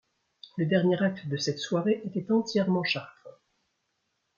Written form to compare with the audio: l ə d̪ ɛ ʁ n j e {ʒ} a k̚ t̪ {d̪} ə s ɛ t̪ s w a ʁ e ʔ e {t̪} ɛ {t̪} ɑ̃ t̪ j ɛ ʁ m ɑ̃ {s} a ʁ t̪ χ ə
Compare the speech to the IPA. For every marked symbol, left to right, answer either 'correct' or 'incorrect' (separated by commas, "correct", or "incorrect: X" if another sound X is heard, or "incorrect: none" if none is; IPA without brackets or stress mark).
incorrect: ʁ, correct, correct, correct, incorrect: ʃ